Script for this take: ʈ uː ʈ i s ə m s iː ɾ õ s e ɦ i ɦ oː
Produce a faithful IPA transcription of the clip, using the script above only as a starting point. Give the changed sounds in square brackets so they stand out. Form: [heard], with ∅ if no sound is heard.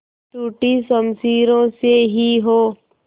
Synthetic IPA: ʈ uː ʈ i s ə m s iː ɾ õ s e ɦ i ɦ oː